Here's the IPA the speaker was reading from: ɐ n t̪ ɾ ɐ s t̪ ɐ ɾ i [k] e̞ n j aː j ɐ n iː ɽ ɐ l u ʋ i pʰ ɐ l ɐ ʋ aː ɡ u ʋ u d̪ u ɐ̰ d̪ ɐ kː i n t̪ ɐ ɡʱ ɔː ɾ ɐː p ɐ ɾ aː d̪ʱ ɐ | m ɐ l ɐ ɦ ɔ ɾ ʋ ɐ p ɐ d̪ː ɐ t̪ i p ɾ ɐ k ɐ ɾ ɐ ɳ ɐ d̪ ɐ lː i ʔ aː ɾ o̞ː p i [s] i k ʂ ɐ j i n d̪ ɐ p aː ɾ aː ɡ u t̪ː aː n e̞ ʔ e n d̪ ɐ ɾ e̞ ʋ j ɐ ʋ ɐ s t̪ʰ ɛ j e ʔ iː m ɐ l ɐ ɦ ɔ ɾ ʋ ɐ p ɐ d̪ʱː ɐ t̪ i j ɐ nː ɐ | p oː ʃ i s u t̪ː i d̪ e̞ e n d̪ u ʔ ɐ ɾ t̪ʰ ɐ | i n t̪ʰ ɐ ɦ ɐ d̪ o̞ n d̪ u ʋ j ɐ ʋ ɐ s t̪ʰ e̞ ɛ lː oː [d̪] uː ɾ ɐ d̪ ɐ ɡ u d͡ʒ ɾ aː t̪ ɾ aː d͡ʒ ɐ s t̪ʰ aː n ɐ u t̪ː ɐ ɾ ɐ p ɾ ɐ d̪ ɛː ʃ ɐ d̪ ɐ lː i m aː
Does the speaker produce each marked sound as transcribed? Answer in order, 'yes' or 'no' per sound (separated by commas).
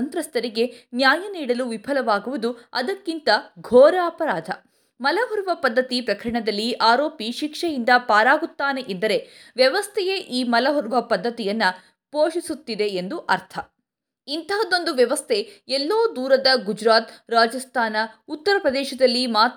no, no, yes